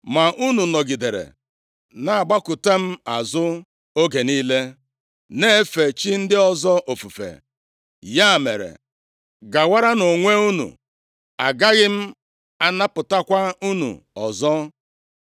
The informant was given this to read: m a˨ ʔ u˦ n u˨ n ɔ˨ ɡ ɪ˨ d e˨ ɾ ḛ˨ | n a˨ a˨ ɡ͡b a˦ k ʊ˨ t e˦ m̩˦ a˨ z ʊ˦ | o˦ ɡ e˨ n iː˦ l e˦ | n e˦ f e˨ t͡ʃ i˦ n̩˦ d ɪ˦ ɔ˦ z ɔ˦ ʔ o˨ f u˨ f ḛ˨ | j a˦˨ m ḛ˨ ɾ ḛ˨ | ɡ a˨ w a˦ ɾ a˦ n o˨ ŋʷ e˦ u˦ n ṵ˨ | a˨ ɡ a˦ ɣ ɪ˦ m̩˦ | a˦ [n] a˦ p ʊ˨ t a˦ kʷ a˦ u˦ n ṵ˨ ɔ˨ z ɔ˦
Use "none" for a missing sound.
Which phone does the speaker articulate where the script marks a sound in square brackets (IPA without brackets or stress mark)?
n